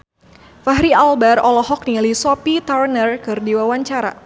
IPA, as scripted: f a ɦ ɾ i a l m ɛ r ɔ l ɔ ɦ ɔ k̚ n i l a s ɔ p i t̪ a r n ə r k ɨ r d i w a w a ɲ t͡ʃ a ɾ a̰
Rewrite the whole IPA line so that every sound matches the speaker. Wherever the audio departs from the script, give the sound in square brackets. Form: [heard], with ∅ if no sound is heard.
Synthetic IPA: f a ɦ ɾ i a l [b] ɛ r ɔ l ɔ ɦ ɔ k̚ n i l [i] s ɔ p i t̪ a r n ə r k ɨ r d i w a w a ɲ t͡ʃ a ɾ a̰

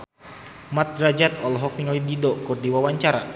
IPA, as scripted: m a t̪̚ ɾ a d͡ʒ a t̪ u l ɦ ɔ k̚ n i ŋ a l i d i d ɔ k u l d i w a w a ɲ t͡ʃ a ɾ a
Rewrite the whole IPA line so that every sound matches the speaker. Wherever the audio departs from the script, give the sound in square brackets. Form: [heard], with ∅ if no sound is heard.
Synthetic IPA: m a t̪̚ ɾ a d͡ʒ a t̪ [ɔ] l ɦ ɔ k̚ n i ŋ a l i d i d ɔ k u [r] d i w a w a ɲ t͡ʃ a ɾ a

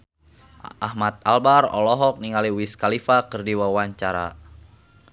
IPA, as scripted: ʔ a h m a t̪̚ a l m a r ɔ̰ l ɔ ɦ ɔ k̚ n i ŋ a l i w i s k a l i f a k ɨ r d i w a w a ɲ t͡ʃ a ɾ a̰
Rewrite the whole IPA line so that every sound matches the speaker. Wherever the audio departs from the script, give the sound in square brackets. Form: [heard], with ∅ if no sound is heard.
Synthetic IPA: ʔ a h m a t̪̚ a l [b] a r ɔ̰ l ɔ ɦ ɔ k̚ n i ŋ a l i w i s k a l i f a k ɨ r d i w a w a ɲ t͡ʃ a ɾ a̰

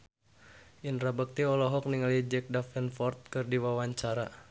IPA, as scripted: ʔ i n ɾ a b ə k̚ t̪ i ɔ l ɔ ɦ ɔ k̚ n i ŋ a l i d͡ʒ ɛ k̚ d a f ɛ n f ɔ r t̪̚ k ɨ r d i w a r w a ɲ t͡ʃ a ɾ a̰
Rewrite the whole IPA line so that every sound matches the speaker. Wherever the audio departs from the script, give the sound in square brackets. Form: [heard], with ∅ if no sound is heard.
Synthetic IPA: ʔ i n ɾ a b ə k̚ t̪ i ɔ l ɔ ɦ ɔ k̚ n i ŋ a l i d͡ʒ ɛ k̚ d a f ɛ n f ɔ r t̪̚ k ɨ r d i w a [∅] w a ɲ t͡ʃ a ɾ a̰

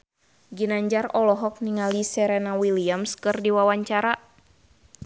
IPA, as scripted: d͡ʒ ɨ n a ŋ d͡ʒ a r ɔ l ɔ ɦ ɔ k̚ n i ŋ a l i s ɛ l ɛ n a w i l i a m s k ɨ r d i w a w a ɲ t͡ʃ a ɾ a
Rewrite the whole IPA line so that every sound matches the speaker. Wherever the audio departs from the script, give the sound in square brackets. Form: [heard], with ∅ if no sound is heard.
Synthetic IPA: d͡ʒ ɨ n a [ɲ] d͡ʒ a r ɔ l ɔ ɦ ɔ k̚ n i ŋ a l i s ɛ [ɾ] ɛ n a w i l i a m s k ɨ r d i w a w a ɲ t͡ʃ a ɾ a

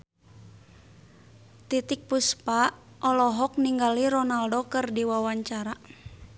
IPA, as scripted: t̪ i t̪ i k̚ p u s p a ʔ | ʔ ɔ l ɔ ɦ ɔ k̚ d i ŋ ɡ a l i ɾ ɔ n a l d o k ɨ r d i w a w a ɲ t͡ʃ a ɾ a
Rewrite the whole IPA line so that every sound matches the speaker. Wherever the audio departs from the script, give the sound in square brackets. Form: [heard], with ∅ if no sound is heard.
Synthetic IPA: t̪ i t̪ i k̚ p u s p a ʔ | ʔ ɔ l ɔ ɦ ɔ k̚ [n] i ŋ ɡ a l i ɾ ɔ n a l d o k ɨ r d i w a w a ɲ t͡ʃ a ɾ a

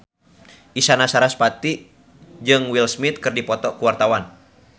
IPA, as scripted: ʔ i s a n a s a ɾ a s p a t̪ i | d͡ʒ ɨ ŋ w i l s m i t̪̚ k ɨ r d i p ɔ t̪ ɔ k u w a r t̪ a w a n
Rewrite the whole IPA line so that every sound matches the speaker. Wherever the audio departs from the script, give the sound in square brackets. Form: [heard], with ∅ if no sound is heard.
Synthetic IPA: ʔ i s a n a s a ɾ a s p a t̪ i | d͡ʒ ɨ ŋ w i l s m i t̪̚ k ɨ r d i p ɔ t̪ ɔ k u w a r t̪ a w a n

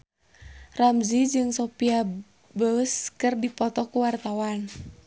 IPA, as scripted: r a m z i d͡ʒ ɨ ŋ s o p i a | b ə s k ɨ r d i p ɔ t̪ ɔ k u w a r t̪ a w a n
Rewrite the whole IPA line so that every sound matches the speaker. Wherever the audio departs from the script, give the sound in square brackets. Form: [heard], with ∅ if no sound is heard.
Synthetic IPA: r a m z i d͡ʒ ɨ ŋ s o p i a | b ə s k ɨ r d i p ɔ t̪ ɔ k u w a r t̪ a w a n

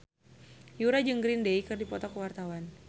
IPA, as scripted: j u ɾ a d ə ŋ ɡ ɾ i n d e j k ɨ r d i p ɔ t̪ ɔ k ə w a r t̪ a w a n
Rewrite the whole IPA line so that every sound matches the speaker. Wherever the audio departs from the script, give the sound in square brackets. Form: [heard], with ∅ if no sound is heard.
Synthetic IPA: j u ɾ a [d͡ʒ] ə ŋ ɡ ɾ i n d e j k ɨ r d i p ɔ t̪ ɔ k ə w a r t̪ a w a n

